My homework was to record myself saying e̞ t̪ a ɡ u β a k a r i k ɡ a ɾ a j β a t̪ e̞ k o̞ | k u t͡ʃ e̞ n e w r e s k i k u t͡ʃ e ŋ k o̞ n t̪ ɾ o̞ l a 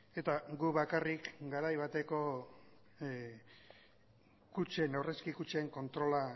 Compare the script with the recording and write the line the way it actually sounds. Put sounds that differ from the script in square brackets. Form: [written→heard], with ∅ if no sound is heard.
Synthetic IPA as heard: e̞ t̪ a ɡ u β a k a r i k ɡ a ɾ a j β a t̪ e̞ k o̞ | k u t͡ʃ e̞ n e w r e s k i k u t͡ʃ e ŋ k o̞ n t̪ ɾ o̞ l a